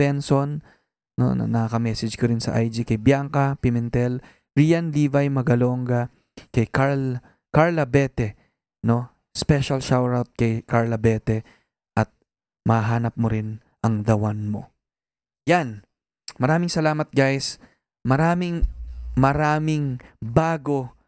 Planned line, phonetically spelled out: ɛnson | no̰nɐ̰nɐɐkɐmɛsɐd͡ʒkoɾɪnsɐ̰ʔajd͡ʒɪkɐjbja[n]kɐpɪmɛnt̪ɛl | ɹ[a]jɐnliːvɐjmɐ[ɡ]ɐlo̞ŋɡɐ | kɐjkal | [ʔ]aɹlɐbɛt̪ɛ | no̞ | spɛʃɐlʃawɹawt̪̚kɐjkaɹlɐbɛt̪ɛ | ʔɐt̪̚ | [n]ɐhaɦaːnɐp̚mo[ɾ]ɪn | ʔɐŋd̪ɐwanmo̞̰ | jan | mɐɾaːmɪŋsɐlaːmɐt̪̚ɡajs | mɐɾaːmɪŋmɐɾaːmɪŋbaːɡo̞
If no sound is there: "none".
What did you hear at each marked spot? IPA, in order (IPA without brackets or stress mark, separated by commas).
ŋ, i, ɡ, k, m, ɾ